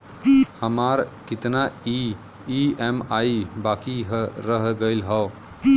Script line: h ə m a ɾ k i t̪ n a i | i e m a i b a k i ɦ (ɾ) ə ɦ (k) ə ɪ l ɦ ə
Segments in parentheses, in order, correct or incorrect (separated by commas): correct, incorrect